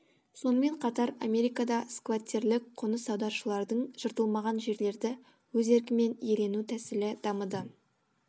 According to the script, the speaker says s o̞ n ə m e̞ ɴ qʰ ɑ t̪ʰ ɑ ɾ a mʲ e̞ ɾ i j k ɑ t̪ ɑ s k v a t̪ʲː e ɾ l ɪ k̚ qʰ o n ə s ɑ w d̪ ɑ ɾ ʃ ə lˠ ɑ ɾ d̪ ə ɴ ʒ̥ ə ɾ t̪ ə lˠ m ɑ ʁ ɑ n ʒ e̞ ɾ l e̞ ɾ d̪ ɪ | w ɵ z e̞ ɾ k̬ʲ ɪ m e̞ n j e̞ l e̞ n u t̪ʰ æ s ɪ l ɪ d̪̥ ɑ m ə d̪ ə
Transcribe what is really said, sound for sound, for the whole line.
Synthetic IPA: s o̞ n ə m e̞ ɴ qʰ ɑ t̪ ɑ ɾ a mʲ e̞ ɾ i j k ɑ d̪ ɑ s k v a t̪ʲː e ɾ l ɪ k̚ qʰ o n ə s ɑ w d̪ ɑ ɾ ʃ ə lˠ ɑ ɾ d̪ ə ɴ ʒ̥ ə ɾ t̪ ə lˠ m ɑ ʁ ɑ n ʒ e̞ ɾ l e̞ ɾ d̪ ɪ | w ɵ z e̞ ɾ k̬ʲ ɪ m e̞ n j e̞ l e̞ n u t̪ʰ æ s ɪ l ɪ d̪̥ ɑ m ə d̪ ə